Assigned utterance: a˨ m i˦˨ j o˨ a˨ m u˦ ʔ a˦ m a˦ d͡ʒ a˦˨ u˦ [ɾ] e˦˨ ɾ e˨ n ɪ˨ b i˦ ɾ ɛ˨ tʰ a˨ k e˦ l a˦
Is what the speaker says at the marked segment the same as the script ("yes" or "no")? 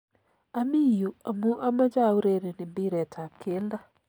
yes